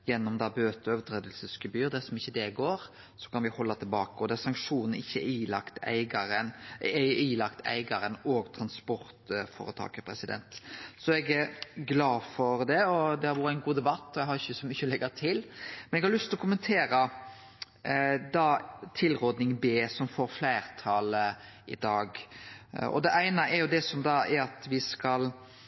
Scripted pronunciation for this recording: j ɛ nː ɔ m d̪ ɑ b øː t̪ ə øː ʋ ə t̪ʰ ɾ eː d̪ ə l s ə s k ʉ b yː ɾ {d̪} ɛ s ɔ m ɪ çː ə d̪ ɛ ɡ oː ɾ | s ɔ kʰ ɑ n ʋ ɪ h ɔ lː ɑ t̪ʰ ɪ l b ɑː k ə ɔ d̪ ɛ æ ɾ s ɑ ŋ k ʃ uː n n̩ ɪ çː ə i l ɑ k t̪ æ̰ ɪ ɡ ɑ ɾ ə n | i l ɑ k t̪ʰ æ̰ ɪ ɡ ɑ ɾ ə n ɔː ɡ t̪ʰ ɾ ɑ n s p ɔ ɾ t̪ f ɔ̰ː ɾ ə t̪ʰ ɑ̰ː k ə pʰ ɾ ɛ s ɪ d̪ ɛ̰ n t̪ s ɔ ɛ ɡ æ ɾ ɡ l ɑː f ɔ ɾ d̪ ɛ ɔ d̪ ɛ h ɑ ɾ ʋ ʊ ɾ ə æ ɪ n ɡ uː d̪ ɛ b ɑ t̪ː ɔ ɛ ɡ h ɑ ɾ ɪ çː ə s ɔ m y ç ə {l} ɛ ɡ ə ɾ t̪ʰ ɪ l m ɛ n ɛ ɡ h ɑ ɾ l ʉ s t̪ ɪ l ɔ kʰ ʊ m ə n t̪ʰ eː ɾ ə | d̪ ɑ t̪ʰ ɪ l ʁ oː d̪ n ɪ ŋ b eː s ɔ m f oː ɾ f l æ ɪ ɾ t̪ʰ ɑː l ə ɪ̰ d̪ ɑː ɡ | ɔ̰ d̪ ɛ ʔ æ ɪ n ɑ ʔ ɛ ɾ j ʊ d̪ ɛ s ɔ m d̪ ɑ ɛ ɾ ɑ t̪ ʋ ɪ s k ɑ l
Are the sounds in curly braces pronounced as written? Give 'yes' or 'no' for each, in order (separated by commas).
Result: yes, yes